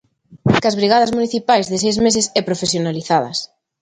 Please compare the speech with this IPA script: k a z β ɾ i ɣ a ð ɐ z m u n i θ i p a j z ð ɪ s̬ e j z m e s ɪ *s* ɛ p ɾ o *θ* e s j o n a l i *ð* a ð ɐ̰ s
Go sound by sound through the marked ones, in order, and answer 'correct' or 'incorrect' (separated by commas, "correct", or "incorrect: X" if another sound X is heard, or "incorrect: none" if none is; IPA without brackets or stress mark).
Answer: correct, incorrect: f, incorrect: θ